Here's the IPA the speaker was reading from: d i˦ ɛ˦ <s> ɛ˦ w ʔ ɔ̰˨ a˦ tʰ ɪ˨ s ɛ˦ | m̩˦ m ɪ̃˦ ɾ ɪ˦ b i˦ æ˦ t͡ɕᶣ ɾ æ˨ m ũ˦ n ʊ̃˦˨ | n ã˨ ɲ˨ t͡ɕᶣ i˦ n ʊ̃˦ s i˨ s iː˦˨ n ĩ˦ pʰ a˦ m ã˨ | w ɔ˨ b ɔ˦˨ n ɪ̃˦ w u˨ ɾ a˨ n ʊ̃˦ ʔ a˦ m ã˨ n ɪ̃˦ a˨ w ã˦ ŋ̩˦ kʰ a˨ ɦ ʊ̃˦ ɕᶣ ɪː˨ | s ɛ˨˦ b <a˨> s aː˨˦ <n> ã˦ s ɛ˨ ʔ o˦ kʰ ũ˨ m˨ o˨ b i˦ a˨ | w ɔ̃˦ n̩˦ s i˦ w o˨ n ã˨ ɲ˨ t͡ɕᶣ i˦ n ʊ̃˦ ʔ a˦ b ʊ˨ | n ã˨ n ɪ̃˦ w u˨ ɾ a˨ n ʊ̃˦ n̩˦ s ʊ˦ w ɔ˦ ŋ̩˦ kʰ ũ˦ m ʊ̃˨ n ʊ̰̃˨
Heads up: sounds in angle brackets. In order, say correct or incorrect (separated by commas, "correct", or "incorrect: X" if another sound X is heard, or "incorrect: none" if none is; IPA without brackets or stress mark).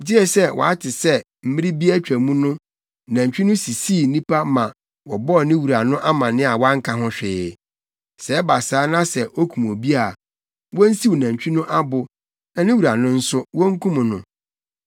correct, correct, correct